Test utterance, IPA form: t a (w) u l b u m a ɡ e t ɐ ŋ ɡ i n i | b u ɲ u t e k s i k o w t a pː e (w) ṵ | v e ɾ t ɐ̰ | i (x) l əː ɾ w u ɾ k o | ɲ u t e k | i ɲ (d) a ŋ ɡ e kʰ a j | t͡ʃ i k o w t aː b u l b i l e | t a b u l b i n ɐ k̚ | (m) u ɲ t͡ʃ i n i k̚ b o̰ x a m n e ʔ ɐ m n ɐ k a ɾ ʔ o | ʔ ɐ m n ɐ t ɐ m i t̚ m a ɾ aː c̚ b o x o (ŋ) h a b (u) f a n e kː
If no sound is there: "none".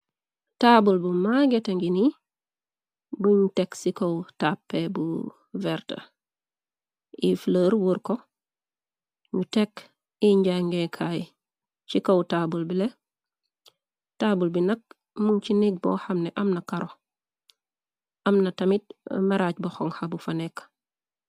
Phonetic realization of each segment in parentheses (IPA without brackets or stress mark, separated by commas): b, b, f, ɟ, m, ŋ, u